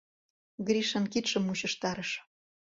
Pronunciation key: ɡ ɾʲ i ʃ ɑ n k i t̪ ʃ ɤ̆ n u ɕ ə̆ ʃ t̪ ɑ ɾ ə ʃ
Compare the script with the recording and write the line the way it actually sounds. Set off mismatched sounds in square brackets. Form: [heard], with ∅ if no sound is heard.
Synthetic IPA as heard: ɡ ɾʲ i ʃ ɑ n k i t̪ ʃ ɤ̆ [m] u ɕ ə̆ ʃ t̪ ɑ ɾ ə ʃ